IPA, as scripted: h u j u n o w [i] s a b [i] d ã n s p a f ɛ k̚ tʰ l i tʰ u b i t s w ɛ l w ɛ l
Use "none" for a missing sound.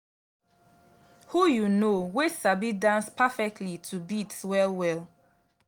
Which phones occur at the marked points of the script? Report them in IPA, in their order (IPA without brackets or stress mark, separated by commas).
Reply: e, i